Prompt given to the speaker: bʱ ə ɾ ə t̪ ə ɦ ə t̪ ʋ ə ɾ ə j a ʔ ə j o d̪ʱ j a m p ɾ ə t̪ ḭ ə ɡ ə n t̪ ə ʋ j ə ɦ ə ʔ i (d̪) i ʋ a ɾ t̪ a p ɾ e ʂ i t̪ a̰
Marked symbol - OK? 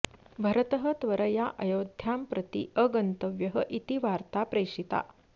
no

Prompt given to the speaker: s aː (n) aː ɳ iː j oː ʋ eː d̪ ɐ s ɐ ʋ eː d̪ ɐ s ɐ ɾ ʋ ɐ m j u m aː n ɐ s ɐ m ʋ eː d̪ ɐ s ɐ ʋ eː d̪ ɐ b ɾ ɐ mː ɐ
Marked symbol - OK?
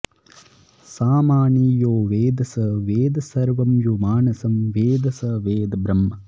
no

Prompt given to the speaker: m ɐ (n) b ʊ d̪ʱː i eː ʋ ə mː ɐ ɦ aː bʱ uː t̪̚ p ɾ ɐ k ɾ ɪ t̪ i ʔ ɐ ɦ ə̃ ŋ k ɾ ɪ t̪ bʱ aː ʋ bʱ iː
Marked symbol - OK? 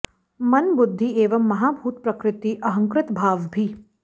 yes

